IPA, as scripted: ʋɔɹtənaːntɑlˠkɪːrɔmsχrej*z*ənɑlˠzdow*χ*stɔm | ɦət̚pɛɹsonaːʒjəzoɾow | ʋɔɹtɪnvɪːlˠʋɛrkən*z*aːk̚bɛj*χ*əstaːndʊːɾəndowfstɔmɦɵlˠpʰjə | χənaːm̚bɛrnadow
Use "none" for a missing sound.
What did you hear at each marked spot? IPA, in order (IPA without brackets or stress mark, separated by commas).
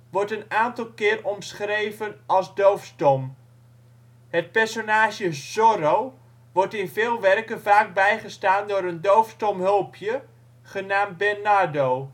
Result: v, f, v, χ